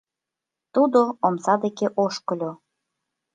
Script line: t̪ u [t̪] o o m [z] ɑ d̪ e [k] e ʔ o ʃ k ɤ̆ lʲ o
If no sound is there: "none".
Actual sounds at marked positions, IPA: d̪, s, k

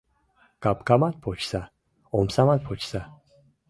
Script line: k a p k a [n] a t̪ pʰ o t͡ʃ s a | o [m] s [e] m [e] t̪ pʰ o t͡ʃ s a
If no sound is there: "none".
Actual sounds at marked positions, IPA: m, m, a, a

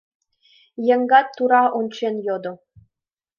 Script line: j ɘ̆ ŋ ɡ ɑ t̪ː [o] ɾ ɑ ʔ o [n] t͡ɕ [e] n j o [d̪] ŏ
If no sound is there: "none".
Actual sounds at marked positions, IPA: u, n, e, d̪

